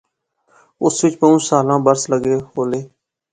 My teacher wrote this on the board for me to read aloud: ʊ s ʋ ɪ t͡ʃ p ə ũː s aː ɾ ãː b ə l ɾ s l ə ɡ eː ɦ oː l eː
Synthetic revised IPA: ʊ s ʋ ɪ t͡ʃ p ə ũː s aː l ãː b ə ɾ s l ə ɡ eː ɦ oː l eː